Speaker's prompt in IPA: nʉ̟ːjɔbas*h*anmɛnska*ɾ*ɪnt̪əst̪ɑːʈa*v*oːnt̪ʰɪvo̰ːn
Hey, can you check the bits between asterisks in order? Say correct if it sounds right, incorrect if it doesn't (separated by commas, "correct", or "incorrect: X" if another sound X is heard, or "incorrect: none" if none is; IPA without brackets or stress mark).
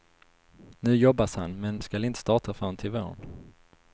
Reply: correct, incorrect: l, incorrect: f